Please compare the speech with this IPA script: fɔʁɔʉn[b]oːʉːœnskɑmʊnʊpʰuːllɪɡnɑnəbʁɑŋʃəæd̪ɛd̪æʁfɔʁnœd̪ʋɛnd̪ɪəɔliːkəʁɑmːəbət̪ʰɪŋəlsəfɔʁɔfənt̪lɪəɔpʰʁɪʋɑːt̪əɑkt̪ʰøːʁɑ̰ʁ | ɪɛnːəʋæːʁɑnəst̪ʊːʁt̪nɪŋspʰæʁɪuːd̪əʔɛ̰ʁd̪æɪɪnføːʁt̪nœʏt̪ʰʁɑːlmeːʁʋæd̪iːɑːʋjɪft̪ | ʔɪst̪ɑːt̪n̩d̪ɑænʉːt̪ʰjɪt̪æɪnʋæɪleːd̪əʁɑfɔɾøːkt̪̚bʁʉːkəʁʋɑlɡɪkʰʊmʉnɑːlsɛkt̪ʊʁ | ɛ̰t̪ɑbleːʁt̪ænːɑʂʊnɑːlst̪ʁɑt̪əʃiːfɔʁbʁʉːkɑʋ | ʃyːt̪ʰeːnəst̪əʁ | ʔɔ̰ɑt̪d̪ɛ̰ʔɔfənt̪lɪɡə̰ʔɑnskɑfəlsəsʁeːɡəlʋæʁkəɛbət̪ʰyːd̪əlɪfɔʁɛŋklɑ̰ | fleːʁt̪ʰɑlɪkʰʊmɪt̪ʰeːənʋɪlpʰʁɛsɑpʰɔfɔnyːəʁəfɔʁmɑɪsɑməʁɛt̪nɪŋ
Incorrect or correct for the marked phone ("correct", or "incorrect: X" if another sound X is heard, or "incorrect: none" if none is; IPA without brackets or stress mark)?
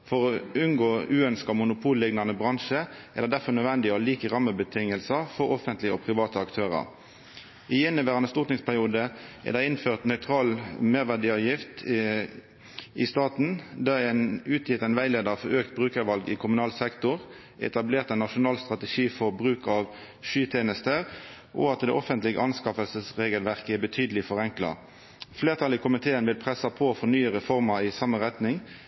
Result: incorrect: ɡ